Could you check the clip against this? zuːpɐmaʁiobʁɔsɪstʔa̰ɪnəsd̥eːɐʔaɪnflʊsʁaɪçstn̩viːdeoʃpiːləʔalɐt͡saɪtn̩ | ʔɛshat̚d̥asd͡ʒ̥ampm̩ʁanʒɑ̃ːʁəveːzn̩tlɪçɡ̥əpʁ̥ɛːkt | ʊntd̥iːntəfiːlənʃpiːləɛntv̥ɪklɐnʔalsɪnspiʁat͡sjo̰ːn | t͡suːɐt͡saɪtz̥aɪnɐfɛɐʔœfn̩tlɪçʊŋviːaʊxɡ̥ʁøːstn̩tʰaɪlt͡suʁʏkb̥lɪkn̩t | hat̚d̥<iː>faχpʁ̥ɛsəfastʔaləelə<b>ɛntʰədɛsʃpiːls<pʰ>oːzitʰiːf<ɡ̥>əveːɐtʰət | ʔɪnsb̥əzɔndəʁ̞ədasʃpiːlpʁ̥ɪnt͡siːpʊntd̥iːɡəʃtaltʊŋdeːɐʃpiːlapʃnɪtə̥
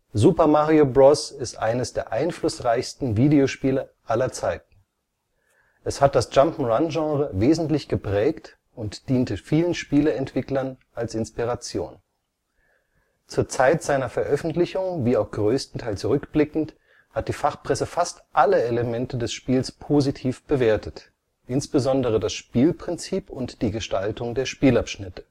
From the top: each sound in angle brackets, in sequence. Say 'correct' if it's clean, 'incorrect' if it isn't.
correct, incorrect, correct, incorrect

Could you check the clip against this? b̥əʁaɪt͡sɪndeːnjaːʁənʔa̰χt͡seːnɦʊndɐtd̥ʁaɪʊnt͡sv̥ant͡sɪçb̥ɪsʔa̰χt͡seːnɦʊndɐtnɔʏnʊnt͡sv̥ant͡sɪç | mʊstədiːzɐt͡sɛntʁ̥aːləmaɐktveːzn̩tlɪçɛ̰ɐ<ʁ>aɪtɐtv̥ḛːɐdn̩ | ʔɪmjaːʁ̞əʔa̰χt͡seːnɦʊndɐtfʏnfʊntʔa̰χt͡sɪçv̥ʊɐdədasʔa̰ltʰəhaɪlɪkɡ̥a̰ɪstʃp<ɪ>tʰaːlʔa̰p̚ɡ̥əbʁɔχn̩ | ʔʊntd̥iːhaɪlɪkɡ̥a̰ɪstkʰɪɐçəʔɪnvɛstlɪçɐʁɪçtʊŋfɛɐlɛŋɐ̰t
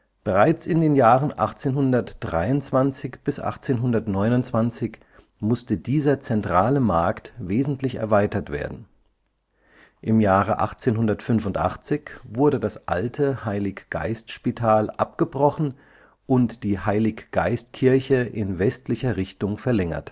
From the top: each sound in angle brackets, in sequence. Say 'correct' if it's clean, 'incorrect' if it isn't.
incorrect, incorrect

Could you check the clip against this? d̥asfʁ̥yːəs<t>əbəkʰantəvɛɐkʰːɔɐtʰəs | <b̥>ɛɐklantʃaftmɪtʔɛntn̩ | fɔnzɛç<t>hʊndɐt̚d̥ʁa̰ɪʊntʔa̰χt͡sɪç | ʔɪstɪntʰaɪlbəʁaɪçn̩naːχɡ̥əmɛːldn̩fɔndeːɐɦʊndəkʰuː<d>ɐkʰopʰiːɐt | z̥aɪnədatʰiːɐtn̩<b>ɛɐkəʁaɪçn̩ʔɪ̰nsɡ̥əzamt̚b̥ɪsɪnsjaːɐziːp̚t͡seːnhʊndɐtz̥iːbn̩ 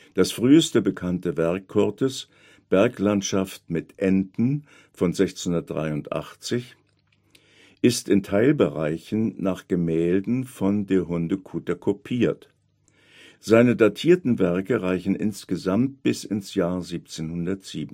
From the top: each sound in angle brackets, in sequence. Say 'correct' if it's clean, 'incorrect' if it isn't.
correct, correct, incorrect, incorrect, incorrect

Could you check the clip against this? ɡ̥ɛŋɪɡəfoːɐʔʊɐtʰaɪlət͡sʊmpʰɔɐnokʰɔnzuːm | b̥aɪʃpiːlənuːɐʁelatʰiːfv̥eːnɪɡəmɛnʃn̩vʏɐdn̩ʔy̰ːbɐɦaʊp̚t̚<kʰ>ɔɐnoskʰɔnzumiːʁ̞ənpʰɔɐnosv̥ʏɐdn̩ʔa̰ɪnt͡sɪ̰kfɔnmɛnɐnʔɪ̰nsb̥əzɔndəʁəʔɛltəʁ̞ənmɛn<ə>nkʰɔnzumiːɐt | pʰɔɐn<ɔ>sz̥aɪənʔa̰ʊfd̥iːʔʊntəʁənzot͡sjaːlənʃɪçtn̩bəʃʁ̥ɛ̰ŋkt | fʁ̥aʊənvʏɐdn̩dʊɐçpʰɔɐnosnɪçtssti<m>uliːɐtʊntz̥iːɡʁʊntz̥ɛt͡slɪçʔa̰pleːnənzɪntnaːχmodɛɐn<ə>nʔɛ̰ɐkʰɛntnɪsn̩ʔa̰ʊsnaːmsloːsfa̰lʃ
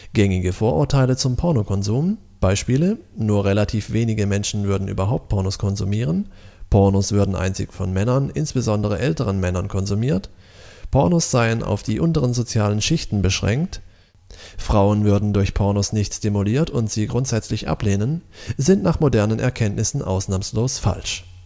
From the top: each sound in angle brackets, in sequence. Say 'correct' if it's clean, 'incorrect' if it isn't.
incorrect, incorrect, incorrect, correct, correct

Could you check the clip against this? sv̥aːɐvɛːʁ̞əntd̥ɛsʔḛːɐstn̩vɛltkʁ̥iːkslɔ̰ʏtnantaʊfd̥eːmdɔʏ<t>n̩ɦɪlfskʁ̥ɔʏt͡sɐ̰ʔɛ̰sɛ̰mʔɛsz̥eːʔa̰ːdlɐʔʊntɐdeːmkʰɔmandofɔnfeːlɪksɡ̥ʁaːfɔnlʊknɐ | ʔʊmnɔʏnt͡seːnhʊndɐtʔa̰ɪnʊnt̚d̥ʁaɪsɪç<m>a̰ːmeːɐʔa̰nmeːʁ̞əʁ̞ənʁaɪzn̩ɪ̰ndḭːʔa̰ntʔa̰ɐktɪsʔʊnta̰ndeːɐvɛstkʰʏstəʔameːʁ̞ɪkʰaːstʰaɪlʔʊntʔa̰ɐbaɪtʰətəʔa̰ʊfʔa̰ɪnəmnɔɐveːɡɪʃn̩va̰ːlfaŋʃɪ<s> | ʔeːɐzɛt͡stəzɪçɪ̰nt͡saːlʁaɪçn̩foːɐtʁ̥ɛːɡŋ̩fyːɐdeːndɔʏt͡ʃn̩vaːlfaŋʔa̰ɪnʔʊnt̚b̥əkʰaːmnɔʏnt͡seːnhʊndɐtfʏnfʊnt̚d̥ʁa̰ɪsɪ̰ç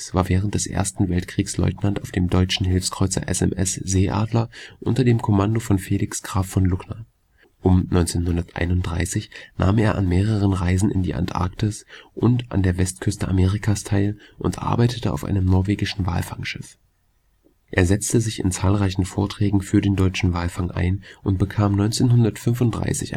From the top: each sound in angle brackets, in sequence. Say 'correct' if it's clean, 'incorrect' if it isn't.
incorrect, incorrect, incorrect

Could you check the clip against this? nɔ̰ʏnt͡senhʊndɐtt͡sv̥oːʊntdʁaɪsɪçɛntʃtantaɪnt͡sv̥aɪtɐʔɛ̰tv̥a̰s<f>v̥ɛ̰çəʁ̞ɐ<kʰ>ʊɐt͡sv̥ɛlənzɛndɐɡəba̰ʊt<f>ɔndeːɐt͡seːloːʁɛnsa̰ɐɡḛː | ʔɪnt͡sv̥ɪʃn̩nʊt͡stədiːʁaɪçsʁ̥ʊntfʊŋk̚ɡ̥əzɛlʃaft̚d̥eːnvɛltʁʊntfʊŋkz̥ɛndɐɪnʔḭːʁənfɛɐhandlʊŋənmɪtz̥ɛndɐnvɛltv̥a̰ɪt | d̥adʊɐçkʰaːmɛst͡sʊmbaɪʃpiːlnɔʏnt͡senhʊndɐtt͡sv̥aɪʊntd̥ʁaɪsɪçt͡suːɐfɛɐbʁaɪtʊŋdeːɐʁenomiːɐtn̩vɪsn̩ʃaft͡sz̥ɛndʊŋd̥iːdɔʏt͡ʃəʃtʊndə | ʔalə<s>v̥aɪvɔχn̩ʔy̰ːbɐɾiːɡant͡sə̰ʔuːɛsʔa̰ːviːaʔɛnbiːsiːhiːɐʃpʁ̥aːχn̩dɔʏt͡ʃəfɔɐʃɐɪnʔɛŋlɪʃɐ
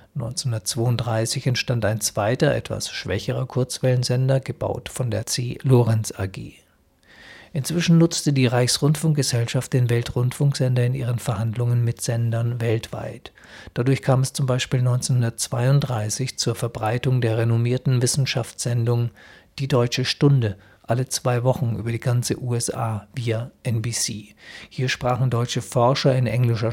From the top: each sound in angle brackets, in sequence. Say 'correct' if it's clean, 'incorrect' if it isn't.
incorrect, correct, correct, incorrect

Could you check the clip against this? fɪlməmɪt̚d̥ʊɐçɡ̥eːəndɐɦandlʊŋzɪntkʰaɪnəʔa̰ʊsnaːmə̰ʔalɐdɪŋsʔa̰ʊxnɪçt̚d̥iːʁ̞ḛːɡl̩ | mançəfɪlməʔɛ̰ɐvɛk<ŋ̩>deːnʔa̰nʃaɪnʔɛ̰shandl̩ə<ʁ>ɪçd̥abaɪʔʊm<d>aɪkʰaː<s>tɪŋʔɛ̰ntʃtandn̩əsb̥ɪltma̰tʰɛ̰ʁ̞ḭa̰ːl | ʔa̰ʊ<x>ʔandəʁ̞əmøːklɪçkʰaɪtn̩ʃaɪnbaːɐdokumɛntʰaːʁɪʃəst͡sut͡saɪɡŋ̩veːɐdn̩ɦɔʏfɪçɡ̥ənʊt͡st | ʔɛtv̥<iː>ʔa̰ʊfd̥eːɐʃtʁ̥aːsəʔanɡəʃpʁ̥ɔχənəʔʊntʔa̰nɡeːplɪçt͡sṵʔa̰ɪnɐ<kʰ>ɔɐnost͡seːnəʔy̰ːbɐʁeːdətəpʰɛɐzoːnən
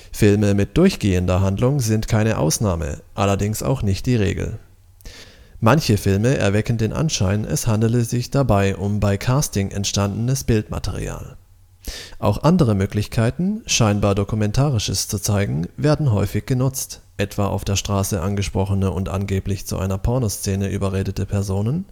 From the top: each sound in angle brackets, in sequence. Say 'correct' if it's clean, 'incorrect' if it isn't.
incorrect, incorrect, incorrect, correct, correct, incorrect, incorrect

